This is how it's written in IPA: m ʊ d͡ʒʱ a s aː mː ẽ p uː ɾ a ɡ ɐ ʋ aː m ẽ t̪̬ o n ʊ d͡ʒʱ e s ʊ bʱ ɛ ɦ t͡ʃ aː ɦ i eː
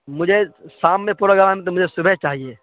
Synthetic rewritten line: m ʊ d͡ʒʱ e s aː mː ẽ p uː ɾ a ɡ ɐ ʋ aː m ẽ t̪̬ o m ʊ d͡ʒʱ e s ʊ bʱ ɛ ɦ t͡ʃ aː ɦ i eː